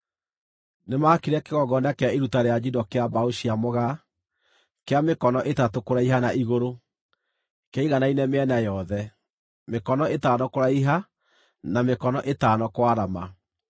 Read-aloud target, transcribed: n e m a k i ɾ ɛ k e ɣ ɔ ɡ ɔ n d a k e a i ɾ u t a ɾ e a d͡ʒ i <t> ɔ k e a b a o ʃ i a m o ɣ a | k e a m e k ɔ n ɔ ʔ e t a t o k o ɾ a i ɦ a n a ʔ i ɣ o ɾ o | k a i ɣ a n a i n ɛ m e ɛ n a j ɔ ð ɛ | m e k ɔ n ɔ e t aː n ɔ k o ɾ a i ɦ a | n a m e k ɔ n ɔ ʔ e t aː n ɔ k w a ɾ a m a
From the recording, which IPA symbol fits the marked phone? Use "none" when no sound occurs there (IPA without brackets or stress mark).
d